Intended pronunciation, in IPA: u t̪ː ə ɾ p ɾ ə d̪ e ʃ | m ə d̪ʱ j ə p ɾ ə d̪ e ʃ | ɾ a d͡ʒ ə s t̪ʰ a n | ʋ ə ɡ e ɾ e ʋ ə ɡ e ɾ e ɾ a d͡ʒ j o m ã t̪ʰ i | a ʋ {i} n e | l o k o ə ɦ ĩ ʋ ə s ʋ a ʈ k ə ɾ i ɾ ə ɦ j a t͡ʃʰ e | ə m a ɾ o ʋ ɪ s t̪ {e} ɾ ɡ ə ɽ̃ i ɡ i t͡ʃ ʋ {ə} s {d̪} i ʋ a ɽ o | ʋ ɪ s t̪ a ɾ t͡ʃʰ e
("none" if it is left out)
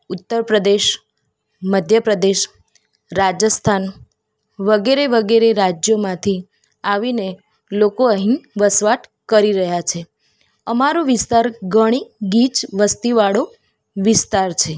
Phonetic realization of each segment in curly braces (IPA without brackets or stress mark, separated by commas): i, a, ə, t̪